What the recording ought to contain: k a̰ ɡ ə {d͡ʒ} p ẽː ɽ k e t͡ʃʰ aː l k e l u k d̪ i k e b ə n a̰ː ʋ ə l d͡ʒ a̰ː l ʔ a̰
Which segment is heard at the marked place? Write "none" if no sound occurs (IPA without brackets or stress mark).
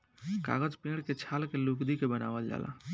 d͡ʒ